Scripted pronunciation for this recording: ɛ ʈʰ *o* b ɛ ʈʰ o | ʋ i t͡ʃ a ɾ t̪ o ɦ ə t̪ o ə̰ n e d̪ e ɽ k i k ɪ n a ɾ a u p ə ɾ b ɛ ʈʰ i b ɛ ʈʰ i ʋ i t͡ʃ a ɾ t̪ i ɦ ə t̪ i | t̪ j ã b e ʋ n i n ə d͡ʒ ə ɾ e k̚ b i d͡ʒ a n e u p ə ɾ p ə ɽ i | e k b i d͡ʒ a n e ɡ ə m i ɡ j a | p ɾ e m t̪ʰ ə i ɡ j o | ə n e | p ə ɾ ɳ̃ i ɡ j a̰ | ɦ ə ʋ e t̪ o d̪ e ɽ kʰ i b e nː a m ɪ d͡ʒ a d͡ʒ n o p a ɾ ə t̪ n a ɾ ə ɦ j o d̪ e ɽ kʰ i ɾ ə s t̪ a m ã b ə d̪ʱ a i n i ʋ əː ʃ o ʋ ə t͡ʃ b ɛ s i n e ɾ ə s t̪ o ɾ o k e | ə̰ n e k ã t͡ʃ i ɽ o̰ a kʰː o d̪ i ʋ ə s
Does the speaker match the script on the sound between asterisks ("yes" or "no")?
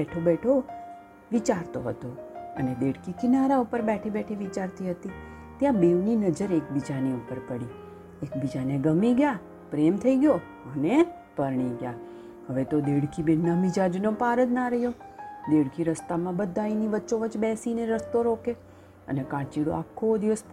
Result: yes